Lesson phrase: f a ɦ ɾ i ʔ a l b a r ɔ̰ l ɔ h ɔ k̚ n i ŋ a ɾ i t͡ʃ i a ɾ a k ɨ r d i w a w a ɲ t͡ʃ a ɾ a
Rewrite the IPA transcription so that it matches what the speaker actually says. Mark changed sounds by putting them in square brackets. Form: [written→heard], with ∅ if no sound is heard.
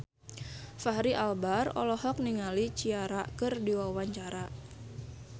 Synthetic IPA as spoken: f a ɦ ɾ i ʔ a l b a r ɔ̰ l ɔ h ɔ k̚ n i ŋ a [ɾ→l] i t͡ʃ i a ɾ a k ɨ r d i w a w a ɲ t͡ʃ a ɾ a